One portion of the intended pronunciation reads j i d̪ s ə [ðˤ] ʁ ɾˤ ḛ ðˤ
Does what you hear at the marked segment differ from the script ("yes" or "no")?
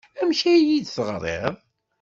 yes